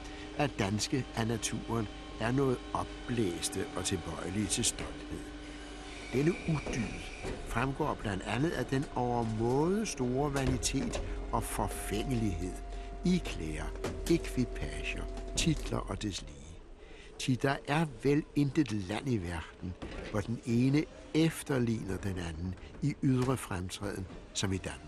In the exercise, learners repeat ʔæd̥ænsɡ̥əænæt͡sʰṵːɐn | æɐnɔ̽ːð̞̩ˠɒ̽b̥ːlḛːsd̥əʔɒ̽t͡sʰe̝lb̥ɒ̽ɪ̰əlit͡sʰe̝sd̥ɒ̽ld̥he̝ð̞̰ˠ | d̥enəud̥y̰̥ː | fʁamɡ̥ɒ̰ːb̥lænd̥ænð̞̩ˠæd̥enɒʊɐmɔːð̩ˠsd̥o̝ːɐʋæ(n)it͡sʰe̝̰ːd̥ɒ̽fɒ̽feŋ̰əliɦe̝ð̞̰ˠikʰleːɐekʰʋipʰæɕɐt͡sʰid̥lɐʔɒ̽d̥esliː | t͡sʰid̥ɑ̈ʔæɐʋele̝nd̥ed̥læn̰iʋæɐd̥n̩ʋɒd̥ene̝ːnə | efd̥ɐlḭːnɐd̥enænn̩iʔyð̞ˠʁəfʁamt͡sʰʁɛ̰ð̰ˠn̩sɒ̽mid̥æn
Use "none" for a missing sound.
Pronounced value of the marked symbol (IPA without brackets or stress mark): n